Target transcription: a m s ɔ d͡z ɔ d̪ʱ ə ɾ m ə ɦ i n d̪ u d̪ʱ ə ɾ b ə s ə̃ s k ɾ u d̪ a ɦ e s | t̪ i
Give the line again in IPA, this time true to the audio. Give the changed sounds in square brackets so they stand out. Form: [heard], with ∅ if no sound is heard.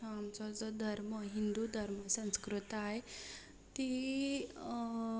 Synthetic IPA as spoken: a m [t͡s] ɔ d͡z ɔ d̪ʱ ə ɾ m ə ɦ i n d̪ u d̪ʱ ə ɾ [m] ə s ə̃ s k ɾ u [t̪] a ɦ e [∅] | t̪ i